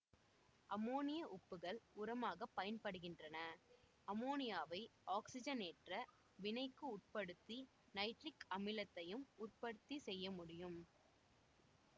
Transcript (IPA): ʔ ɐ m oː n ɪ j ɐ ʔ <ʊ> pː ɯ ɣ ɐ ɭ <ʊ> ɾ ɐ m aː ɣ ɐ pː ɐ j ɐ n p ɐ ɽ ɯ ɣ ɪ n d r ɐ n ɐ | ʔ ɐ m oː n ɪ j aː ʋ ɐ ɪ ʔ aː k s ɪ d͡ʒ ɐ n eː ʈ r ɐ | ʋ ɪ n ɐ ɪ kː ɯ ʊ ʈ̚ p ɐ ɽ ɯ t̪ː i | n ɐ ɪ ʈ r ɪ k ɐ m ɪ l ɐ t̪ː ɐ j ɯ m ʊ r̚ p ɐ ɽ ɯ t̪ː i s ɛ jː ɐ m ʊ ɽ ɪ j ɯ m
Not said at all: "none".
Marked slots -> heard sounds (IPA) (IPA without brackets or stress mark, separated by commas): ʊ, ʊ